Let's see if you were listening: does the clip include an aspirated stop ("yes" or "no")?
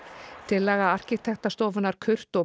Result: yes